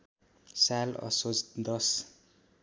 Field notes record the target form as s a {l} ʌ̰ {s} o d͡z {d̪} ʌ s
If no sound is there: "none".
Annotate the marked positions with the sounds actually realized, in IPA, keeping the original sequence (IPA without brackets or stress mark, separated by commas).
l, s, d̪